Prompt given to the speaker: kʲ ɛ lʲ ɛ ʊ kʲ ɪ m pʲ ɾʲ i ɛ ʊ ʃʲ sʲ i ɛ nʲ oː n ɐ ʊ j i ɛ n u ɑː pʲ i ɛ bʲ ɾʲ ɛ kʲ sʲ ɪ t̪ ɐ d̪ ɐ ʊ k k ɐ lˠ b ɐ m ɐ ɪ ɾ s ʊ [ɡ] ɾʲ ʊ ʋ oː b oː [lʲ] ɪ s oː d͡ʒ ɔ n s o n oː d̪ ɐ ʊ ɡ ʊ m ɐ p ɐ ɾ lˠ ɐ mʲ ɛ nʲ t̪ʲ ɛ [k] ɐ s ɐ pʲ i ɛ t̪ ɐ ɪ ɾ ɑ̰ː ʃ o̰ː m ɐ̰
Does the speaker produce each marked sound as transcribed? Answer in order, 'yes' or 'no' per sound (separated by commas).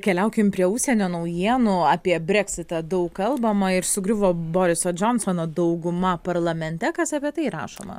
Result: yes, no, yes